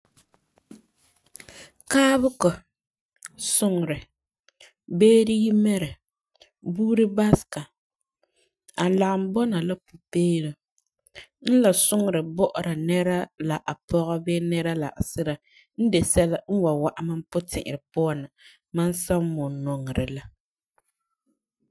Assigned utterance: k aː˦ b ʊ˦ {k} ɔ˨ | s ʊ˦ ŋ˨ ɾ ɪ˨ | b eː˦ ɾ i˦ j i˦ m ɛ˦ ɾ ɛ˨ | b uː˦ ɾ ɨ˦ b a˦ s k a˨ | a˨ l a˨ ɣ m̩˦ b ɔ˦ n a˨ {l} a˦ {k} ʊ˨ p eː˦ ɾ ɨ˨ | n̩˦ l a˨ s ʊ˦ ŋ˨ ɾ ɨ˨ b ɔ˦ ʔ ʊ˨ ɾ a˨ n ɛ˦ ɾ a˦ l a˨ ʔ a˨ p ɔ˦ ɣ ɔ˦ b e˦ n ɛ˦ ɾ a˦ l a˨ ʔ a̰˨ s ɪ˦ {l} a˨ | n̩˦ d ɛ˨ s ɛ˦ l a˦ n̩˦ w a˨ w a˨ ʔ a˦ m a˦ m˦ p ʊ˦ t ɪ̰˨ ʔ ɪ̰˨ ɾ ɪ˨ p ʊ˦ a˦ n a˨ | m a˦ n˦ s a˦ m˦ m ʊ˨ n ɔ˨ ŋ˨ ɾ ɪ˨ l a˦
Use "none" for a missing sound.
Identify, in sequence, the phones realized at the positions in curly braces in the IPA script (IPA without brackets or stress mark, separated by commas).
k, l, p, ɾ